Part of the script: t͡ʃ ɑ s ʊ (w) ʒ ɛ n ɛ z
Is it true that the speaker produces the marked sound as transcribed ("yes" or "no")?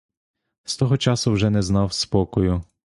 yes